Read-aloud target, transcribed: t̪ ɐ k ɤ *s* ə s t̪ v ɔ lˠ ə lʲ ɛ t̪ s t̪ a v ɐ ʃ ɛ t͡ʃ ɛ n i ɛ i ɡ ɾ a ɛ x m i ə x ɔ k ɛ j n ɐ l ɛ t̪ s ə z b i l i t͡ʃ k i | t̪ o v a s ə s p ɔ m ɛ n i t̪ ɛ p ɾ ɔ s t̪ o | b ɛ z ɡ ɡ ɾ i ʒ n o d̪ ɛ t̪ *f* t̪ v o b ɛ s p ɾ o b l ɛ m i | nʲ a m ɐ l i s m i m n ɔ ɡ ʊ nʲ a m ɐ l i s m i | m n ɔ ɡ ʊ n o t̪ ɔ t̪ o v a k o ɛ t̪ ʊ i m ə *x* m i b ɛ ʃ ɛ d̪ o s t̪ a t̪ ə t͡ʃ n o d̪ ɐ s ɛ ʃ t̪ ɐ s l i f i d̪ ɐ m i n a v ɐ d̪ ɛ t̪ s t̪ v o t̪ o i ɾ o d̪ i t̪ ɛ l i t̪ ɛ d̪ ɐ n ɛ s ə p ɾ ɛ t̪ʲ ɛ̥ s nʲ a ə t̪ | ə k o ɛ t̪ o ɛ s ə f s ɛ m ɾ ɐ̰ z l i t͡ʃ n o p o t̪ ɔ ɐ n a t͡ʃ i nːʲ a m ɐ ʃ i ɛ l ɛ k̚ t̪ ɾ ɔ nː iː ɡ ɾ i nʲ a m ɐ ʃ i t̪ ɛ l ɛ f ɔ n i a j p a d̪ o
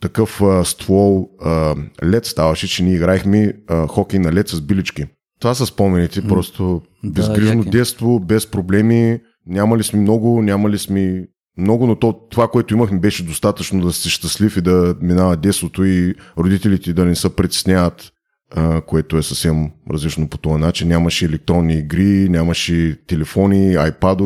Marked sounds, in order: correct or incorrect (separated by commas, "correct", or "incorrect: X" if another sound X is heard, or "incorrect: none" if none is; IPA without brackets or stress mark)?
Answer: incorrect: f, incorrect: s, correct